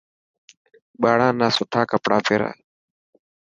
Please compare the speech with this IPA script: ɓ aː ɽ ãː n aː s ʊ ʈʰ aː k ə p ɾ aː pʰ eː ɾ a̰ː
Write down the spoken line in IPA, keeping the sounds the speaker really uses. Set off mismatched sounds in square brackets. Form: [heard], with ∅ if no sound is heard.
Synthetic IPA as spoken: ɓ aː ɽ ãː n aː s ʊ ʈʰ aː k ə p [ɽ] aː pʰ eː ɾ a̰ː